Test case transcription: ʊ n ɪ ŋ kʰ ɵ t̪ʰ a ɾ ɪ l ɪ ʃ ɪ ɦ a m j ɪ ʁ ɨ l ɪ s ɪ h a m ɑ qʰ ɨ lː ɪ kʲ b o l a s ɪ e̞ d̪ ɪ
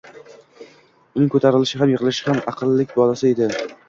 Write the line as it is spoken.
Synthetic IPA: ʊ n ɪ ŋ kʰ ɵ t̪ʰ a ɾ ɪ l ɪ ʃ ɪ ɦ a m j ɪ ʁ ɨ l ɪ ʃ ɪ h a m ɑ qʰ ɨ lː ɪ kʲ b ɒ l a s ɪ e̞ d̪ ɪ

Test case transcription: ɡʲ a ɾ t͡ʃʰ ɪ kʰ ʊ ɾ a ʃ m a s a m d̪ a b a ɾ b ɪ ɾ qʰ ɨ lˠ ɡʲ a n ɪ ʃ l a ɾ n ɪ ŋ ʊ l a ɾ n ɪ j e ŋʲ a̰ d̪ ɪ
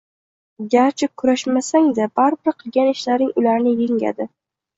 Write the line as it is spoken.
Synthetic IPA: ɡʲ a ɾ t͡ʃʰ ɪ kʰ ʊ ɾ a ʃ m a s a ŋ d̪ a b a ɾ b ɪ ɾ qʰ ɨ lˠ ɡʲ a n ɪ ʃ l a ɾ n ɪ ŋ ʊ l a ɾ n ɪ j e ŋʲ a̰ d̪ ɪ

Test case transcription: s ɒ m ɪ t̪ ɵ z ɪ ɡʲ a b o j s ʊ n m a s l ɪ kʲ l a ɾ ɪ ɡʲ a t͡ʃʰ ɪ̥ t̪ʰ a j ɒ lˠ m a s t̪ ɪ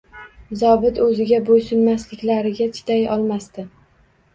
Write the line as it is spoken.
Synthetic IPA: z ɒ b ɪ t̪ ɵ z ɪ ɡʲ a b o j s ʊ n m a s l ɪ kʲ l a ɾ ɪ ɡʲ a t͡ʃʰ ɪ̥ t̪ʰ a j ɒ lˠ m a s t̪ ɪ

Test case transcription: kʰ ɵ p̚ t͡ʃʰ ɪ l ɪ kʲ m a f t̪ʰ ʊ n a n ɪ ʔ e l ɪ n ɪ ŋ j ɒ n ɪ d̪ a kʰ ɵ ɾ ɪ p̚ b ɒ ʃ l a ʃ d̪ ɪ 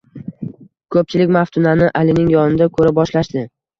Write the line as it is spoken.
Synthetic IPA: kʰ ɵ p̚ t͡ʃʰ ɪ l ɪ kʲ m a f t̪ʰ ʊ n a n ɪ ʔ a l ɪ n ɪ ŋ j ɒ n ɪ d̪ a kʰ ɵ ɾ ɪ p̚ b ɒ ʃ l a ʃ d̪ ɪ

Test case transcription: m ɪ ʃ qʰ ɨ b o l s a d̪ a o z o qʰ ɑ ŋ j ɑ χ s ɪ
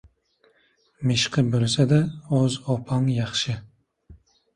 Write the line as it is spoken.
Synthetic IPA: m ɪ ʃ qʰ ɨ b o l s a d̪ a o z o pʰ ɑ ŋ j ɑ χ ʃ ɪ

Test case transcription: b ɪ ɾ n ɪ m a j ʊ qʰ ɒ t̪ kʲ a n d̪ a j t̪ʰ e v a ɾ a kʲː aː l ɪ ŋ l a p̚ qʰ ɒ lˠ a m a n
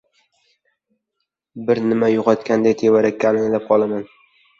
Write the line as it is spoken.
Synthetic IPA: b ɪ ɾ n ɪ m a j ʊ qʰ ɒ t̪ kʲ a n d̪ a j t̪ʰ e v a ɾ a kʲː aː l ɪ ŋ l a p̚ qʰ ɒ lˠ a m a n

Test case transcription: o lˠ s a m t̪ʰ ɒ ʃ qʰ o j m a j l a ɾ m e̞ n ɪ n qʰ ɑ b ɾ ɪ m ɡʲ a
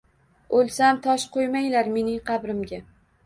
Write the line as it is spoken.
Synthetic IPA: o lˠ s a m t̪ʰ ɒ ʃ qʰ o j m a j l a ɾ m e̞ n ɪ ŋ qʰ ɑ b ɾ ɪ m ɡʲ a

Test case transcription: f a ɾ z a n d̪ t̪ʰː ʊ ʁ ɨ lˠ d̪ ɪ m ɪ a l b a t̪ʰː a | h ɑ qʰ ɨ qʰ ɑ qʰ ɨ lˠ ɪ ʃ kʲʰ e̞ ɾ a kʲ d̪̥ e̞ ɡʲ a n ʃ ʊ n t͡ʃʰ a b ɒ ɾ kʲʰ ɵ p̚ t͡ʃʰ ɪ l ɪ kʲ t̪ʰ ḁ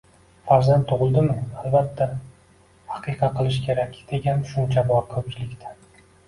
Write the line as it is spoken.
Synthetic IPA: f a ɾ z a n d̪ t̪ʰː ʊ ʁ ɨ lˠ d̪ ɪ m ɪ a l b a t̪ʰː a | h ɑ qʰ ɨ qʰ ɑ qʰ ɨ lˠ ɪ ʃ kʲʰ e̞ ɾ a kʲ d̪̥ e̞ ɡʲ a n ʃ ʊ n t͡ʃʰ a b ɒ ɾ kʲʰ ɵ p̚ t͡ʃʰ ɪ l ɪ kʲ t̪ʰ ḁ

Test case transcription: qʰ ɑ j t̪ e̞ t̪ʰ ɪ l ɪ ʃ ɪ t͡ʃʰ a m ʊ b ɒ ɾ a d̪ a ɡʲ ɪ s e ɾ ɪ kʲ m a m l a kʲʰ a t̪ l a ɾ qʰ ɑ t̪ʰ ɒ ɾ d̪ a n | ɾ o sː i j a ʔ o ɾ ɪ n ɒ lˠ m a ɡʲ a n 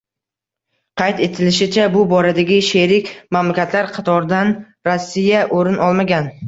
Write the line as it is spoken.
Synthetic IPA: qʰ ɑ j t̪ e̞ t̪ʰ ɪ l ɪ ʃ ɪ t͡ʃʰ a b ʊ b ɒ ɾ a d̪ a ɡʲ ɪ ʃ e ɾ ɪ kʲ m a m l a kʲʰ a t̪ l a ɾ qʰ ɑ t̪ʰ ɒ ɾ d̪ a n | ɾ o sː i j a ʔ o ɾ ɪ n ɒ lˠ m a ɡʲ a n

